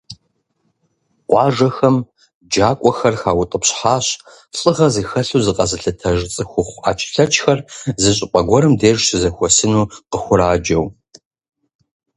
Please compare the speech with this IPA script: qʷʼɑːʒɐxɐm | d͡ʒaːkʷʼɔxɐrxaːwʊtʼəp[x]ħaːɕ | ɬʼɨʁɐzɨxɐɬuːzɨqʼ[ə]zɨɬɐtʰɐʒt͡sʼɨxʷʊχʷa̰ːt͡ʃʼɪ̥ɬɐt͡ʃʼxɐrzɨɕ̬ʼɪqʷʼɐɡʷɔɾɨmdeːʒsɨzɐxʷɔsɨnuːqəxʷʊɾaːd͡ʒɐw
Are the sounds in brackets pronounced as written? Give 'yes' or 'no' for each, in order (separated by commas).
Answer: no, no